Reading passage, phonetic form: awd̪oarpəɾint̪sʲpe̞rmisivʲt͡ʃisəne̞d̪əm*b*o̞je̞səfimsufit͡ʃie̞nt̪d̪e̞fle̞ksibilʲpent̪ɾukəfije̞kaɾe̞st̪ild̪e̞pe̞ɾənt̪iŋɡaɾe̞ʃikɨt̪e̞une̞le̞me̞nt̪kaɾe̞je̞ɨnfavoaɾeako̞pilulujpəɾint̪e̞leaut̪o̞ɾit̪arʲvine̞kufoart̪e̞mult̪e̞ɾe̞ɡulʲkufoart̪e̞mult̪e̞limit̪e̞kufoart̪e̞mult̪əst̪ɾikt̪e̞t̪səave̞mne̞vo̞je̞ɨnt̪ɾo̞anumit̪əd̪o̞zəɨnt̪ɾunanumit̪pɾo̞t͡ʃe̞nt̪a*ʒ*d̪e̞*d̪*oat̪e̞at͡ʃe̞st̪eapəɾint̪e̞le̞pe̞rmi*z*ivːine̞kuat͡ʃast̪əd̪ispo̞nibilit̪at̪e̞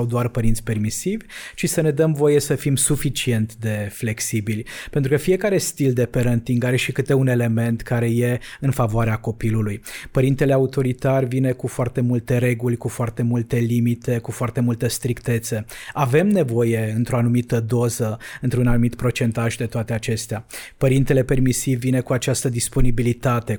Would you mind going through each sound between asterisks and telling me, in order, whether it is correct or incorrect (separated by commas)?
incorrect, correct, incorrect, incorrect